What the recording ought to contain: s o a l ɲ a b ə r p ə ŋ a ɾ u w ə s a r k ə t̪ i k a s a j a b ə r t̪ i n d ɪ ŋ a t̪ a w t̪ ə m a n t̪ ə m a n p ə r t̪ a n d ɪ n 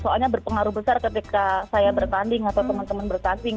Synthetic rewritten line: s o a l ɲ a b ə r p ə ŋ a ɾ u b ə s a r k ə t̪ i k a s a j a b ə r t̪ a n d ɪ ŋ a t̪ a w t̪ ə m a n t̪ ə m a n b ə r t̪ a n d ɪ ŋ